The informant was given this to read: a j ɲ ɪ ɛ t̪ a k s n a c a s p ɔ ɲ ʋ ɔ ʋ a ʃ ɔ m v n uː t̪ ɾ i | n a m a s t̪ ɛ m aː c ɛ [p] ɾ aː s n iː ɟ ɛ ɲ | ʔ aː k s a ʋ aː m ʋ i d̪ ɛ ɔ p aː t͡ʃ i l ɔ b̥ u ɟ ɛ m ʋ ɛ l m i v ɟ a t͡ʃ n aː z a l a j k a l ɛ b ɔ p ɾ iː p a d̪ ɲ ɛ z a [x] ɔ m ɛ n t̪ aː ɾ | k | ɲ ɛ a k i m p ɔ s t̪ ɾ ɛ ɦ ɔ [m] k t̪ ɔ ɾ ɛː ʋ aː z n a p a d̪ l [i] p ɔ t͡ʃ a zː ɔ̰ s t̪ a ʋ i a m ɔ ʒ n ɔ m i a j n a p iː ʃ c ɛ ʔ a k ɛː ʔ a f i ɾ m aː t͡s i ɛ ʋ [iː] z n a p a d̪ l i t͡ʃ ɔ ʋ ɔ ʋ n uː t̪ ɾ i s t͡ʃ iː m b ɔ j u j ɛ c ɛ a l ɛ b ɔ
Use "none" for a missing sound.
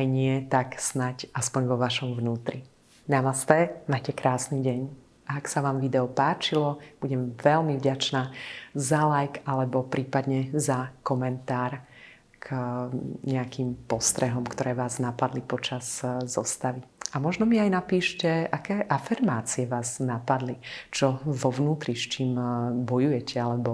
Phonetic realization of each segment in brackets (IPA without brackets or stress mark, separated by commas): k, k, m, i, aː